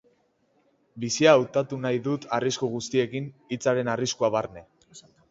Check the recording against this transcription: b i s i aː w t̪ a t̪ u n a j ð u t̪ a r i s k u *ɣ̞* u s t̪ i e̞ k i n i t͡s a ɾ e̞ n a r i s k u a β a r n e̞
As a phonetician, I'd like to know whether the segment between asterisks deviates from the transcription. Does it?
no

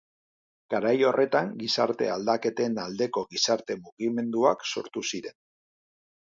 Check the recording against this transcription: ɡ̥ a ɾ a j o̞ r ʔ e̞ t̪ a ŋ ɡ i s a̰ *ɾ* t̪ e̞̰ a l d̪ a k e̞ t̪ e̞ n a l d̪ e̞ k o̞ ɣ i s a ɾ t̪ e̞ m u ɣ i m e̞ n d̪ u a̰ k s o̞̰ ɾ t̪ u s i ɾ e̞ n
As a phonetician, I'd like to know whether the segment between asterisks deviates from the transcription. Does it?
no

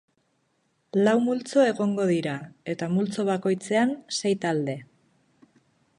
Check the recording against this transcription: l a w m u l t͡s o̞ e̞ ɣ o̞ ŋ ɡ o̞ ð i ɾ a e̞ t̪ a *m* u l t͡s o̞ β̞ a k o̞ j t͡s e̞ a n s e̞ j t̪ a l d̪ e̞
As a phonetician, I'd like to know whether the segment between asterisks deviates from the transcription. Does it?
no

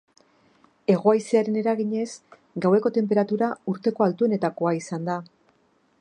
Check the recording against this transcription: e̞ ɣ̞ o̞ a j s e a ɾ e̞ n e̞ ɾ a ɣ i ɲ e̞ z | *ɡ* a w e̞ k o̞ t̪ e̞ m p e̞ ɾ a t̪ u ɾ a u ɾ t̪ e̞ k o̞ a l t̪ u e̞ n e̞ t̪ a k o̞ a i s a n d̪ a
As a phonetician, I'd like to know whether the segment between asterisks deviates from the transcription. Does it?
no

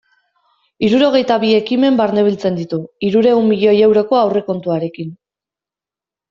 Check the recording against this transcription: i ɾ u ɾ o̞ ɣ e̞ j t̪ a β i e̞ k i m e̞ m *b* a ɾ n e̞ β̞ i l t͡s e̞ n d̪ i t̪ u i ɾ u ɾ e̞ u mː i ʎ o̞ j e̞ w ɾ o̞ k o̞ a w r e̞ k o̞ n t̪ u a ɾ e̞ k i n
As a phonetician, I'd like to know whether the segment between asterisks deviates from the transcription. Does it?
no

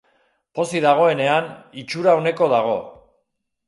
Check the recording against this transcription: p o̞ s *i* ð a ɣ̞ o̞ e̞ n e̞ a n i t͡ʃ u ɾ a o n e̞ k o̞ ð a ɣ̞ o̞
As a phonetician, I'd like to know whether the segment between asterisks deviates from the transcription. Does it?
no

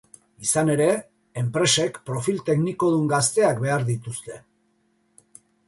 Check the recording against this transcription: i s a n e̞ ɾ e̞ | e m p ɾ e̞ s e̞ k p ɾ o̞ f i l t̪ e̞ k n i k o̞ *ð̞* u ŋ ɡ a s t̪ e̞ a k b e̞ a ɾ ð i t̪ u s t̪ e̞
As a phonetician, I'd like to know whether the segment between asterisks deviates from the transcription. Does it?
no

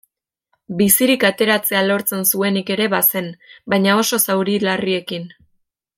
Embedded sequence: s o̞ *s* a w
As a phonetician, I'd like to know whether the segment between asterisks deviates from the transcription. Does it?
no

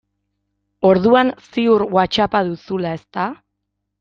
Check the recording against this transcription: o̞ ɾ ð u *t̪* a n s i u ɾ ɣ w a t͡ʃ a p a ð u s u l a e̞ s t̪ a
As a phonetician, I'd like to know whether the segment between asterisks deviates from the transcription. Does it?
yes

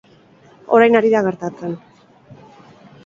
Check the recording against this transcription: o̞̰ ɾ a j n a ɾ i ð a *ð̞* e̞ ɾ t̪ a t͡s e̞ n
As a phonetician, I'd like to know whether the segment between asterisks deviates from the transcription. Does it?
yes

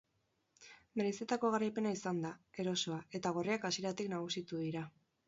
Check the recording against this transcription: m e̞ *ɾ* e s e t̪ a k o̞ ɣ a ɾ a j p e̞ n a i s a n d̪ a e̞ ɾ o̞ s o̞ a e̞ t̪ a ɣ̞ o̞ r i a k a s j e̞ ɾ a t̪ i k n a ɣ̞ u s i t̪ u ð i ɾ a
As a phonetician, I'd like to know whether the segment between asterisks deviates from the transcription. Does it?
no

